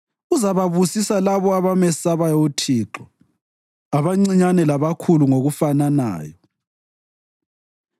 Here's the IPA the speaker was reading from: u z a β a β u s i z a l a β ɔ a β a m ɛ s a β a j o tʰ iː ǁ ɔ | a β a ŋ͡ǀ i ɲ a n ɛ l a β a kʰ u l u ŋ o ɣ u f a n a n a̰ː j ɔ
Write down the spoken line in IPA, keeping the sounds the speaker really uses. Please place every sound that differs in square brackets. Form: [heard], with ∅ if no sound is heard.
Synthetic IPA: u z a β a β u s i [s] a l a β ɔ a β a m ɛ s a β a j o tʰ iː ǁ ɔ | a β a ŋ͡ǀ i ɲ a n ɛ l a β a kʰ u l u ŋ o ɣ u f a n a n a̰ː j ɔ